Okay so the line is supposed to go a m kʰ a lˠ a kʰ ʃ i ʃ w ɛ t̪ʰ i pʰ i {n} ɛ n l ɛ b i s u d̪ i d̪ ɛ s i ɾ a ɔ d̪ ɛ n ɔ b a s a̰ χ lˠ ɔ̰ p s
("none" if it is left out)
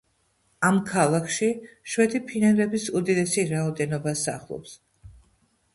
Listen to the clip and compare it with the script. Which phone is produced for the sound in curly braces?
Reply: n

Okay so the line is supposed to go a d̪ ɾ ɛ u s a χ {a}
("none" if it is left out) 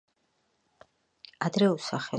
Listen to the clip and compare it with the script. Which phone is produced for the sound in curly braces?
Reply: ɛ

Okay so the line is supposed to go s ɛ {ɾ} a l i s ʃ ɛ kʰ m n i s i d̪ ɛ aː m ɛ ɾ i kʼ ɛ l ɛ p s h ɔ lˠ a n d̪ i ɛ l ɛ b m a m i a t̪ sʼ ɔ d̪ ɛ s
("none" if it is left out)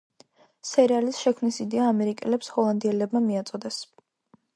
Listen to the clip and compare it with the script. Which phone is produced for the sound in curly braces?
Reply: ɾ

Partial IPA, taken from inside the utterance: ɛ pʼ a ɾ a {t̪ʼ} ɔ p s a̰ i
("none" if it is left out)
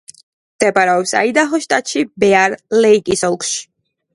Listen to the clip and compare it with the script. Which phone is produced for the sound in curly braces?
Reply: none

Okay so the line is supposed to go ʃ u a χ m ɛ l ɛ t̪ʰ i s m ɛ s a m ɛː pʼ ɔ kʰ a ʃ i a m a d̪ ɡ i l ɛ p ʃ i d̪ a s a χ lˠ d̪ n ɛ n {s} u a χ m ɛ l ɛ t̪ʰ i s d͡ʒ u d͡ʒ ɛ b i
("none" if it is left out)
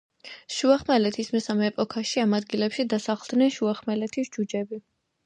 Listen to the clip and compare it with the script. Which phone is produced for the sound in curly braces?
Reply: ʃ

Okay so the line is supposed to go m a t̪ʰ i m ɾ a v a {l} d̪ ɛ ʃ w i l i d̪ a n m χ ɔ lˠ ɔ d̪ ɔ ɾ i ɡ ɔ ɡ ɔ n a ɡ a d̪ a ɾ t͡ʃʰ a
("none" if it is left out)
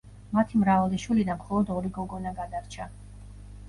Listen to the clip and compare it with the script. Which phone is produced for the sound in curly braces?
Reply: l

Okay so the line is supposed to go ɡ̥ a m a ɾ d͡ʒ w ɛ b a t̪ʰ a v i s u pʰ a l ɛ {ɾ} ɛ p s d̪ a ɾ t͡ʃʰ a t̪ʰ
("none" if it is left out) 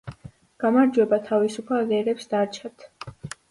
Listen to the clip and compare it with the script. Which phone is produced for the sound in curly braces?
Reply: ɾ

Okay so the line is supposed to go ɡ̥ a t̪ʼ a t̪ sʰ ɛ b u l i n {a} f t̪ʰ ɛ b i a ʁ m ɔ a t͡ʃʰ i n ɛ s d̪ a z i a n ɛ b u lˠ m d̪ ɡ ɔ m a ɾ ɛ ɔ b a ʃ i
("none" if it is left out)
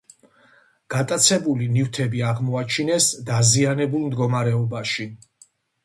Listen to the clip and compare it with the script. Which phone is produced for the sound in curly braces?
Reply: i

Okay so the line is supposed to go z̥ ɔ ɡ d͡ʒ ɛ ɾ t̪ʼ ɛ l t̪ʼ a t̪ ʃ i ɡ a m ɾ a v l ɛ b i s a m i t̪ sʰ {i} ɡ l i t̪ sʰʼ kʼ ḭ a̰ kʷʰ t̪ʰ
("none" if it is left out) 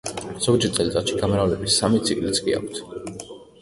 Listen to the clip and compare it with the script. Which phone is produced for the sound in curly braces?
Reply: i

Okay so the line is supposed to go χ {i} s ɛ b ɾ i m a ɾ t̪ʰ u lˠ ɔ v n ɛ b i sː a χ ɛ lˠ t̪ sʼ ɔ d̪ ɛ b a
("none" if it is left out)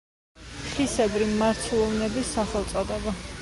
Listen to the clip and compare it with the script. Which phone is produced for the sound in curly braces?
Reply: i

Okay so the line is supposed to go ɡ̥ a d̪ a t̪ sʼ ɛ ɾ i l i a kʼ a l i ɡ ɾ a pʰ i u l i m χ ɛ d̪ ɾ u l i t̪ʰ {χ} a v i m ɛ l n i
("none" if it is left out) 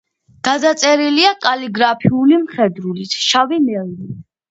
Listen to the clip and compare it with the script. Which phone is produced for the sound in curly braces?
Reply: ʃ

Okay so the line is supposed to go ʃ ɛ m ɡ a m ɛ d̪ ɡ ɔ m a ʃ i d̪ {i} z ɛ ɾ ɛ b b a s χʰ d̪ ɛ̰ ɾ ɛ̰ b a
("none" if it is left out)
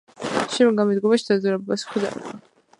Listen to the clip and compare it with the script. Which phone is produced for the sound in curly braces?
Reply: a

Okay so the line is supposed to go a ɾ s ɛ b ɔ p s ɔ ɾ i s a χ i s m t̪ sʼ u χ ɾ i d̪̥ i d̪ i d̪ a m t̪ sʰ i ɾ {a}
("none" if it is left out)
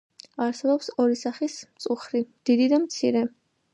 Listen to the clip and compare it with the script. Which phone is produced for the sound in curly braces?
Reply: ɛ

